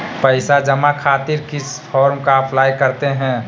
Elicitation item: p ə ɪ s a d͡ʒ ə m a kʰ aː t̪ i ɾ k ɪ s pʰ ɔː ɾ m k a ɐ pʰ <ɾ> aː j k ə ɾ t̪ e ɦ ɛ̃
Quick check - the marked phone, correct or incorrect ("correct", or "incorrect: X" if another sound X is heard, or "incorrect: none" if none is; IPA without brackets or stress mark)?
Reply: incorrect: l